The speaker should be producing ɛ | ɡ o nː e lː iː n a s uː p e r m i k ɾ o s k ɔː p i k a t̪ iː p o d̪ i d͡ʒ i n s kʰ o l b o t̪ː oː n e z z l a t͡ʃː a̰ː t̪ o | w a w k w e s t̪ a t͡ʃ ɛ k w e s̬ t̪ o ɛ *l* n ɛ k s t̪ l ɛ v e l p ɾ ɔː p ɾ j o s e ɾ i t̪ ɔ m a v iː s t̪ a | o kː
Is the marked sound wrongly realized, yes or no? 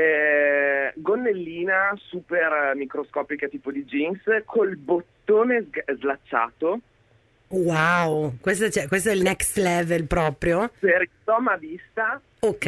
no